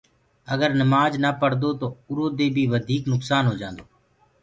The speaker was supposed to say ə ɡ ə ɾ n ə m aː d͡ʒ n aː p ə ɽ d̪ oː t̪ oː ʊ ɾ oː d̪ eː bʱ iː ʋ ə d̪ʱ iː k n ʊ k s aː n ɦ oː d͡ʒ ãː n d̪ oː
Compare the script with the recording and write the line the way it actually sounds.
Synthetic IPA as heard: ə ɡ ə ɾ n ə m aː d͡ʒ n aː p ə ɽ d̪ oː t̪ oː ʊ ɾ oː d̪ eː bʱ iː ʋ ə d̪ʱ iː k n ʊ k s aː n ɦ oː d͡ʒ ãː n d̪ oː